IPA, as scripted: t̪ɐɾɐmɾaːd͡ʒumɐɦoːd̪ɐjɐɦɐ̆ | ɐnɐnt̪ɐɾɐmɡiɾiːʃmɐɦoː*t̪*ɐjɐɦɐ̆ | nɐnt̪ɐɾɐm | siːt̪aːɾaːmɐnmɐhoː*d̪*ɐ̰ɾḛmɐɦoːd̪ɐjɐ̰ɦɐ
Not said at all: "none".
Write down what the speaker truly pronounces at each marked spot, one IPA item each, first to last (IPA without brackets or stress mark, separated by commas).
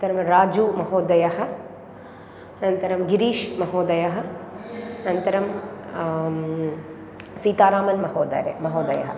d̪, d̪